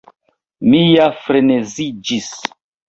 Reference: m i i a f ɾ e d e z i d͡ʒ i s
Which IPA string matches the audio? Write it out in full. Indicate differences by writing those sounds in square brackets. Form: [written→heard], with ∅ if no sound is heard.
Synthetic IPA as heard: m i [i→j] a f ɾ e [d→n] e z i d͡ʒ i s